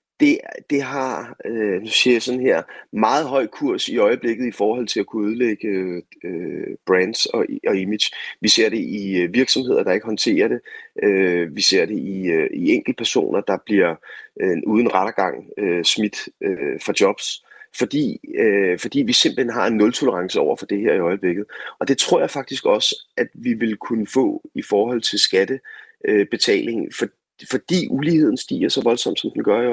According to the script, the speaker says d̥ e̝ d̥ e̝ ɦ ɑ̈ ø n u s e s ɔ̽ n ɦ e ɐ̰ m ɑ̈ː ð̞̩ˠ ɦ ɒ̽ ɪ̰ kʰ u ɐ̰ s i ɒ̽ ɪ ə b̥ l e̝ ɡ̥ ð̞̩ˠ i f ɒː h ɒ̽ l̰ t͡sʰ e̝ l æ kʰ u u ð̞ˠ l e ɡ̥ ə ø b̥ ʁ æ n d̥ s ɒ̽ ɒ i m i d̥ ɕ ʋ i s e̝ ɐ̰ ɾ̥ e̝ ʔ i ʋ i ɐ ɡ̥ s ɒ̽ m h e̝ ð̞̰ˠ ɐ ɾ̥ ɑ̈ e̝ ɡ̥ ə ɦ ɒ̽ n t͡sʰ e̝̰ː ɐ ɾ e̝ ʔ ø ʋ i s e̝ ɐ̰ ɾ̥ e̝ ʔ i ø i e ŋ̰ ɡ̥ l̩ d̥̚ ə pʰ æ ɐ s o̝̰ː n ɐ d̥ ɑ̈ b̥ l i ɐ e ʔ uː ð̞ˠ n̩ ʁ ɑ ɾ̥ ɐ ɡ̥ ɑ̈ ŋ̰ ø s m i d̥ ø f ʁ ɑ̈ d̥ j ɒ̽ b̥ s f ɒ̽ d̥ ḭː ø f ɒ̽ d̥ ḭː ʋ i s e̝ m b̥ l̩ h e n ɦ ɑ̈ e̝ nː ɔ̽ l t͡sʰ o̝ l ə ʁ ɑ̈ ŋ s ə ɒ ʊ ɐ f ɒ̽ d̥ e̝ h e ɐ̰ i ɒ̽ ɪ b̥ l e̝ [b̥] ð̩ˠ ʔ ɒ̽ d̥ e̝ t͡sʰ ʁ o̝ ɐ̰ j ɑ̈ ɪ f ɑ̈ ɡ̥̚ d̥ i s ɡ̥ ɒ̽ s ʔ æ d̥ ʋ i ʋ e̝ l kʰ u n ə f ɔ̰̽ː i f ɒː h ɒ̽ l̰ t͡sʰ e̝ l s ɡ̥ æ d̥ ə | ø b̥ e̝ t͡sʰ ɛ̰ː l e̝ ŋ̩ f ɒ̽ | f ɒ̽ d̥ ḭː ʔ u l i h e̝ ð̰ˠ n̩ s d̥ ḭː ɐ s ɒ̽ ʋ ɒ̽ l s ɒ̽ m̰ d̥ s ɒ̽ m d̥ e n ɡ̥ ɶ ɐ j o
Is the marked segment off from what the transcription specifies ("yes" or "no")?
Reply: yes